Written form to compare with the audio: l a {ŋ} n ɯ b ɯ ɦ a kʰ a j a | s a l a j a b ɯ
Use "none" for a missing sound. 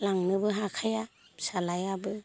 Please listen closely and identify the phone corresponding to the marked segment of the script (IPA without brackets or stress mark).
ŋ